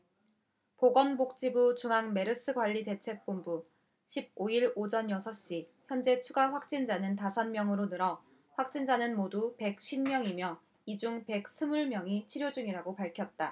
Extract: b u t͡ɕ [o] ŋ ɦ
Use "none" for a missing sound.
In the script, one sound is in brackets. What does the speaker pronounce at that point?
u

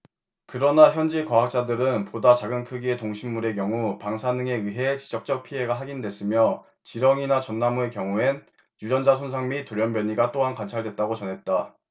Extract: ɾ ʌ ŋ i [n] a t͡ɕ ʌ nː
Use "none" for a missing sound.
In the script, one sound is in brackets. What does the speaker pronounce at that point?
n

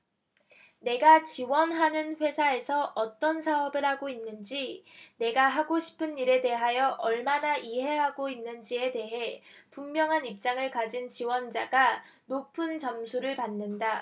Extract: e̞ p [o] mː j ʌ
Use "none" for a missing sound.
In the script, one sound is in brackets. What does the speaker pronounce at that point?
u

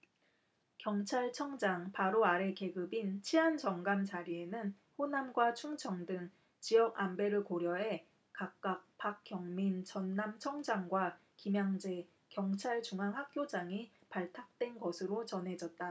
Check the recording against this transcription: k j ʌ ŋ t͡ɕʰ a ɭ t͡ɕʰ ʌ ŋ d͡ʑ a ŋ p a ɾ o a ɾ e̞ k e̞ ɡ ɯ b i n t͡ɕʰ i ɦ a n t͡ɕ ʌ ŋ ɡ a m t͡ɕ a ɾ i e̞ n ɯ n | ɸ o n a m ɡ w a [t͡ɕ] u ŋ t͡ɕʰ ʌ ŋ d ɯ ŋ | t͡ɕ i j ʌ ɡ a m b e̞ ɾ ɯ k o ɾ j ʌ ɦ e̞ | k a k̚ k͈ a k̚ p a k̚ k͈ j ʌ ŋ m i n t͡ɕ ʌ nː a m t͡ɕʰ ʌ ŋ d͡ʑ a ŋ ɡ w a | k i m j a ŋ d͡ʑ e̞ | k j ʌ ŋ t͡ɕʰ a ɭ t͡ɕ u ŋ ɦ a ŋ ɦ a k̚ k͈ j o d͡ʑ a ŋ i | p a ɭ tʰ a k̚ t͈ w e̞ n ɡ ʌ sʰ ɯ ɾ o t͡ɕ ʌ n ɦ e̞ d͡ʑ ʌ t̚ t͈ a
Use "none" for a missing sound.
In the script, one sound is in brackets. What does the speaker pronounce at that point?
t͡ɕʰ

